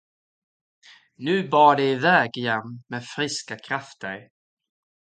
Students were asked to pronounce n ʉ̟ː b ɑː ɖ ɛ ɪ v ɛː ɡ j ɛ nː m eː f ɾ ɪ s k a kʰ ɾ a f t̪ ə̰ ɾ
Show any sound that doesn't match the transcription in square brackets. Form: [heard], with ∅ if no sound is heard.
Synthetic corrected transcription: n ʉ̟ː b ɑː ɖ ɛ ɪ v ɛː ɡ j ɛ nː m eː f ɾ ɪ s k a kʰ ɾ a f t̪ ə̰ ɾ